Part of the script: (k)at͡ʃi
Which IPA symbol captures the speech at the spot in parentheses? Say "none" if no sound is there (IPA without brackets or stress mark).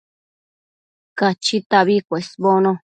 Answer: k